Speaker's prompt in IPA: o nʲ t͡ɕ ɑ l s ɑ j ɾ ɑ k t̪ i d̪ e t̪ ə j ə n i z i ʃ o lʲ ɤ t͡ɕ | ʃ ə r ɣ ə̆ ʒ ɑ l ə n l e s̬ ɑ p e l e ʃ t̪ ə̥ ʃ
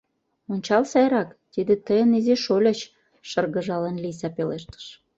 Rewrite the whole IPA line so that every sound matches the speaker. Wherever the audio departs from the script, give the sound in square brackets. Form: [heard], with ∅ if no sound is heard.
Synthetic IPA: o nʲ t͡ɕ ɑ l s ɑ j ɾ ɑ k t̪ i d̪ e t̪ ə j ə n i z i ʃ o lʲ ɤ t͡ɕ | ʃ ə r ɣ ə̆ ʒ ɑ l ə n l [i] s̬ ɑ p e l e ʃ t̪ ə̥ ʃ